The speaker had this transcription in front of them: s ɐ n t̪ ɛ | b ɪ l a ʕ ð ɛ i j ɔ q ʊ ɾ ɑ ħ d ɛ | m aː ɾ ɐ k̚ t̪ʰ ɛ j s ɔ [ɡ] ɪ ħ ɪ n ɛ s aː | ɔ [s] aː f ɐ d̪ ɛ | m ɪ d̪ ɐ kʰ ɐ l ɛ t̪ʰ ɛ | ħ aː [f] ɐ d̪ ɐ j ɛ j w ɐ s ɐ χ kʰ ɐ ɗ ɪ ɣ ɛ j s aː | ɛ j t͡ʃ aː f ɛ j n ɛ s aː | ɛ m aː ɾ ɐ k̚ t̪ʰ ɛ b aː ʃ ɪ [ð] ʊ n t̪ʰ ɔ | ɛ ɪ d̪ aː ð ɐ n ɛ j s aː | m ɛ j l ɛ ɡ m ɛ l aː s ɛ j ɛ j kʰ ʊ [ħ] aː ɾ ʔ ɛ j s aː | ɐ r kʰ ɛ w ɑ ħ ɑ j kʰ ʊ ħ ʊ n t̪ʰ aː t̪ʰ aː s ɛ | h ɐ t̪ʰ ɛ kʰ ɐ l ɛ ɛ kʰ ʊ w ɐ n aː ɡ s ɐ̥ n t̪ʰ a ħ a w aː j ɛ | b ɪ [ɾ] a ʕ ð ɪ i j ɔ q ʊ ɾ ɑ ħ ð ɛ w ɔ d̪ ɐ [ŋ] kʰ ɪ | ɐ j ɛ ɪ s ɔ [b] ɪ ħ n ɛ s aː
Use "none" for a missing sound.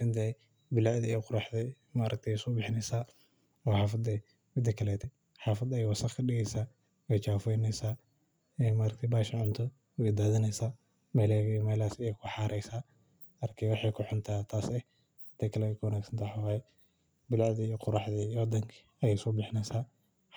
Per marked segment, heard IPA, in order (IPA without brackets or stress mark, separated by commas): b, ħ, f, ʕ, ħ, l, ŋ, b